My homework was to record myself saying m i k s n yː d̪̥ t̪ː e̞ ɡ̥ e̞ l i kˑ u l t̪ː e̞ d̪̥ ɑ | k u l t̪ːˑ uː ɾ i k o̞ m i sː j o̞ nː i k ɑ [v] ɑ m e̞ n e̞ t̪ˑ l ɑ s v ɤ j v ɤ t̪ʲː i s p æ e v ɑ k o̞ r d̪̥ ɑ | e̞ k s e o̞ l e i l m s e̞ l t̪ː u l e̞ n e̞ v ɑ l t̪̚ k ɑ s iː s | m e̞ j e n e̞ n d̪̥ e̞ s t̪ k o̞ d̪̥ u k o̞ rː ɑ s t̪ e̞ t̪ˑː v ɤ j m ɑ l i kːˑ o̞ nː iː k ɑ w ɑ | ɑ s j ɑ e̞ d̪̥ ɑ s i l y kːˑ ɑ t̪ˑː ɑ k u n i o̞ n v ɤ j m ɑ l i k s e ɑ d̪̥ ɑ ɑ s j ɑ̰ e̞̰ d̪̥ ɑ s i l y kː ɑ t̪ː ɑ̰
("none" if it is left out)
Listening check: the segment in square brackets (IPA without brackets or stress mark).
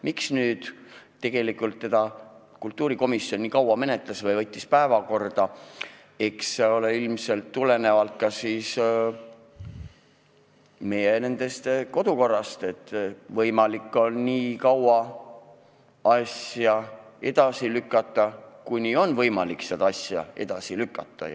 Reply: w